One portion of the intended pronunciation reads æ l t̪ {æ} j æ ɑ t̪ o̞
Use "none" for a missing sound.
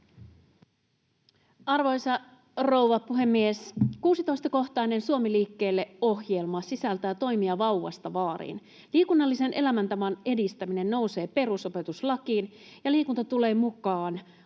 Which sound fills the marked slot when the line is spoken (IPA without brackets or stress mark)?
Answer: æ